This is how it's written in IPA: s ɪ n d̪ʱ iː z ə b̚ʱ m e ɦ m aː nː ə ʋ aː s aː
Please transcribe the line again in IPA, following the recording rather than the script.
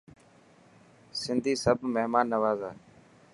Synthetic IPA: s ɪ n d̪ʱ iː s ə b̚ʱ m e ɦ m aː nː ə ʋ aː z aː